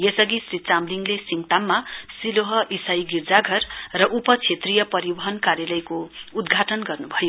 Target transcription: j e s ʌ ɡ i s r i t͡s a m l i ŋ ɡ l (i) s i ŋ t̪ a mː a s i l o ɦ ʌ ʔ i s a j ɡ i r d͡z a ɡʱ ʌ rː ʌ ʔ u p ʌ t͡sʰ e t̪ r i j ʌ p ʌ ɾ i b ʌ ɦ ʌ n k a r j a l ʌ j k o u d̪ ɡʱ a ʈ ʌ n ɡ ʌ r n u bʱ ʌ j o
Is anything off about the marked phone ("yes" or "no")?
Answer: yes